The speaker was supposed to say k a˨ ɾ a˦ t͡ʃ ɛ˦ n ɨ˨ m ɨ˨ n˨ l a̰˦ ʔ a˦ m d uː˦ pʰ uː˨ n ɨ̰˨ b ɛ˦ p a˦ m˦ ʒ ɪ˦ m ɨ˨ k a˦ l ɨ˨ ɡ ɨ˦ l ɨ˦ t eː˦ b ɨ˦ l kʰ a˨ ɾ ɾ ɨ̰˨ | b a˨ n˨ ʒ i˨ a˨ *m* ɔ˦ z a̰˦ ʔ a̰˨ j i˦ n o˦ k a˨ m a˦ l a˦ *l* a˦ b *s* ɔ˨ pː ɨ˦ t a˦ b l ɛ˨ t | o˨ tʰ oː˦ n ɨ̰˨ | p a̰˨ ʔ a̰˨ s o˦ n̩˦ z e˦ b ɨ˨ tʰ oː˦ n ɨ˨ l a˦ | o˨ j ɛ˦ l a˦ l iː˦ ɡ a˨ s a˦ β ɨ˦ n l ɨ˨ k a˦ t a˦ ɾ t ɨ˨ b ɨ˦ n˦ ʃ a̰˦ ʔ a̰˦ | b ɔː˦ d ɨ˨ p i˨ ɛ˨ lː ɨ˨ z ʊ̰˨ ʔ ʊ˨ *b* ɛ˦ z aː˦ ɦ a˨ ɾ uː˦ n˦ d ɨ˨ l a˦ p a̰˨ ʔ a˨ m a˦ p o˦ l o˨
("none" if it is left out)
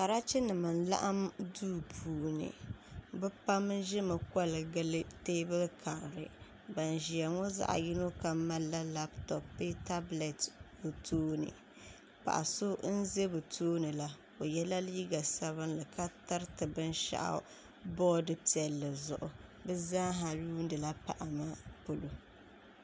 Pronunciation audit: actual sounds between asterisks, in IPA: ŋ, l, t, b

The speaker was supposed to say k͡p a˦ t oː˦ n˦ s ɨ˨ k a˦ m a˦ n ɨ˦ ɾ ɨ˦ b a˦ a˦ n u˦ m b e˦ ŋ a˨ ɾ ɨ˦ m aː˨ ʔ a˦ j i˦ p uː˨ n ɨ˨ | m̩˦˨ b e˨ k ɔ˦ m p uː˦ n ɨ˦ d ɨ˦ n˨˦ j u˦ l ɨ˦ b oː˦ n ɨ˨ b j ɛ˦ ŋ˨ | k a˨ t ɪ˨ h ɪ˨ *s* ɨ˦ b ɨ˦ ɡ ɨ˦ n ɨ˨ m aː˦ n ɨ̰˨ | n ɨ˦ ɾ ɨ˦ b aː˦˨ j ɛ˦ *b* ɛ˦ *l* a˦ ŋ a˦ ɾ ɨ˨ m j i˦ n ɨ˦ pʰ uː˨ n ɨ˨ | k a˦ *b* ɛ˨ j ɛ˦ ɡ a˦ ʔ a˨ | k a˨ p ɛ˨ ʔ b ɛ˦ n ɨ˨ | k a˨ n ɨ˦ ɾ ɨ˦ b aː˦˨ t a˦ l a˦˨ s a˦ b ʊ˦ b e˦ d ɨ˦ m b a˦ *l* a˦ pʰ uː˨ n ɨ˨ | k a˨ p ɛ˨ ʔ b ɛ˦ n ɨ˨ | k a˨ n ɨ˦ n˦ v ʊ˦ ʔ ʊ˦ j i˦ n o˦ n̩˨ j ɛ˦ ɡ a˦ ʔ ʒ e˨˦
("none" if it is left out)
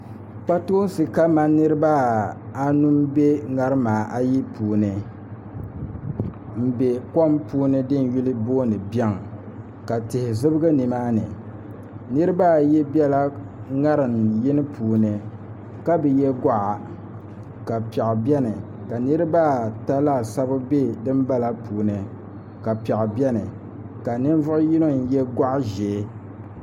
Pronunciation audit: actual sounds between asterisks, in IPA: z, b, l, b, l

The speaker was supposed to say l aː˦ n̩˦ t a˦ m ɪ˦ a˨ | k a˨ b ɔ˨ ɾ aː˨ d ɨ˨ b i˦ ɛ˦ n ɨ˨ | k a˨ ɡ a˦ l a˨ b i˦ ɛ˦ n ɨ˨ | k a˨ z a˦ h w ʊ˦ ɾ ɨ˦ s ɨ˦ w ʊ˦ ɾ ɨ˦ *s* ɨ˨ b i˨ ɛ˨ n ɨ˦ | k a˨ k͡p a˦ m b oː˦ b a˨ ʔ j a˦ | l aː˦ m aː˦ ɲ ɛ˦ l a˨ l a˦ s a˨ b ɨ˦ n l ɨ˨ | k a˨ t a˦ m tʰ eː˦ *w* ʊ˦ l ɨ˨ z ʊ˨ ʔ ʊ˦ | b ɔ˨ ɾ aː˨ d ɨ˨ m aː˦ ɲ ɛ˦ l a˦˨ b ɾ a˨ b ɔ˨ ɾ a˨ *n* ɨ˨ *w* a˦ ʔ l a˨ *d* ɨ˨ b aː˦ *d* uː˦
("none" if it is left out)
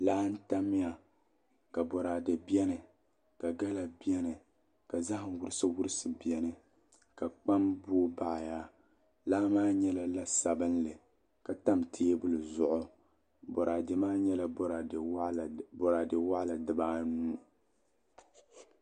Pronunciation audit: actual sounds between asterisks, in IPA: s, b, d, w, d, n

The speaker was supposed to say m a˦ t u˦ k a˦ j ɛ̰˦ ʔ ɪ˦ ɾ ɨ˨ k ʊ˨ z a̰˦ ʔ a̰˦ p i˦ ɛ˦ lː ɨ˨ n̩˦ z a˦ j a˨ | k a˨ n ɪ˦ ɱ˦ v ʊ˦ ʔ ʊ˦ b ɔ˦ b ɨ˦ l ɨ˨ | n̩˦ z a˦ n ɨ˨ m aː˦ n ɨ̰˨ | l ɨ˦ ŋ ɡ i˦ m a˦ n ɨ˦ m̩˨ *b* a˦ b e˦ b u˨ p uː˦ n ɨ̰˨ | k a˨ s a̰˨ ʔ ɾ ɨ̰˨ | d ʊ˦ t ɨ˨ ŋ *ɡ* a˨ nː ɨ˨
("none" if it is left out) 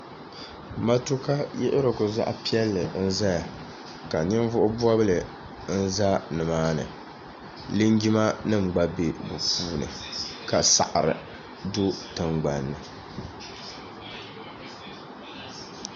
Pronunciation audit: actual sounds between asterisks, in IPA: ɡ͡b, ɡ͡b

